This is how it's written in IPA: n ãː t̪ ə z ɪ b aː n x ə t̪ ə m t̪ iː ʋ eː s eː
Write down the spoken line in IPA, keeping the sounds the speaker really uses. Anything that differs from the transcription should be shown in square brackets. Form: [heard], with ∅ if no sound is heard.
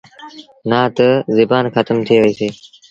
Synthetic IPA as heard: n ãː t̪ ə z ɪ b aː n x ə t̪ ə m [t̪ʰ] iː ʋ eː s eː